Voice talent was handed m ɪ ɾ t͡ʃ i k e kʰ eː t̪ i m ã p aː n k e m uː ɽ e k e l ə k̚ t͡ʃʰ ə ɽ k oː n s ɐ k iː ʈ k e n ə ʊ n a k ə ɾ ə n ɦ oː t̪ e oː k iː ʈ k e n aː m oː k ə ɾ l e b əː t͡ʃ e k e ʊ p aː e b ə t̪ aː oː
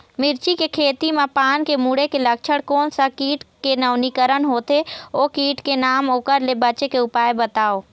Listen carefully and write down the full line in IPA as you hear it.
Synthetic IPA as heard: m ɪ ɾ t͡ʃ i k e kʰ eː t̪ i m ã p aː n k e m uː ɽ e k e l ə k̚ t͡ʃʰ ə ɽ k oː n s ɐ k iː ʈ k e n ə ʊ n i k ə ɾ ə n ɦ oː t̪ e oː k iː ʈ k e n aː m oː k ə ɾ l e b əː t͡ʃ e k e ʊ p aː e b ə t̪ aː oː

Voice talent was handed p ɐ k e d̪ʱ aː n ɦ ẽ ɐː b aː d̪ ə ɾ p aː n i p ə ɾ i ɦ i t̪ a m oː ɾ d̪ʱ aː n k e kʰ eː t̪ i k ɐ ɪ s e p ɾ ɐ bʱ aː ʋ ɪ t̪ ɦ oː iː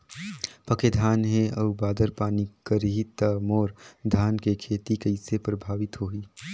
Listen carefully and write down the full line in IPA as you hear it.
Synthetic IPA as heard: p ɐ k e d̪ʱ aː n ɦ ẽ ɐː b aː d̪ ə ɾ p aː n i k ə ɾ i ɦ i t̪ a m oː ɾ d̪ʱ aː n k e kʰ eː t̪ i k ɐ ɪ s e p ɾ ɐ bʱ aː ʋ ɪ t̪ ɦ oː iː

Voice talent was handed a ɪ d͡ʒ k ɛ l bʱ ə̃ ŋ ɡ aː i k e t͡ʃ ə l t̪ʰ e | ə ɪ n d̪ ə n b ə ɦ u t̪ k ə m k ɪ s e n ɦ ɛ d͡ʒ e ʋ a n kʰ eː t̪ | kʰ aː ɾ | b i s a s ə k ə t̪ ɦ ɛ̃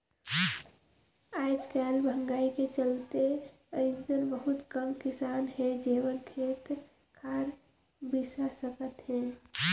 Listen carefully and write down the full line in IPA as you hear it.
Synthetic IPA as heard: a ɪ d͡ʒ k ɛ l bʱ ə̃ ŋ ɡ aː i k e t͡ʃ ə l t̪ e | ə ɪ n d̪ ə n b ə ɦ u t̪ k ə m k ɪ s a n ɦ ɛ d͡ʒ e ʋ ə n kʰ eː t̪ | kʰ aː ɾ | b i s a s ə k ə t̪ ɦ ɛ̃

